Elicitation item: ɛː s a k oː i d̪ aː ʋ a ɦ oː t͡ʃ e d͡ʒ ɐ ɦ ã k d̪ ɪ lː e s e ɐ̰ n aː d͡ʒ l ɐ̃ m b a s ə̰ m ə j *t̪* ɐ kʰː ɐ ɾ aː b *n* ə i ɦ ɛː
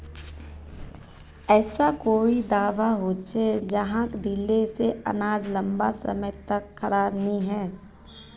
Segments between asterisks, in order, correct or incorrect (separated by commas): correct, correct